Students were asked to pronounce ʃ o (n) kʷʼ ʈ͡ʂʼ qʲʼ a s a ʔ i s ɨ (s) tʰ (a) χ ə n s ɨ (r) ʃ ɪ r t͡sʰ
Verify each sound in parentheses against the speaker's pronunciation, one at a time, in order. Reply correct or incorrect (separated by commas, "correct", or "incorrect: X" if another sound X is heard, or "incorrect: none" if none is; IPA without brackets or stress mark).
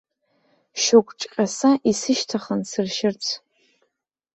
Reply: incorrect: none, incorrect: ʃ, correct, correct